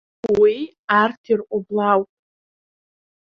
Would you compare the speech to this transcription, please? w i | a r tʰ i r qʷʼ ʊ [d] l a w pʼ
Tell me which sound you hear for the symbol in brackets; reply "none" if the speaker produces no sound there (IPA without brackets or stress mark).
b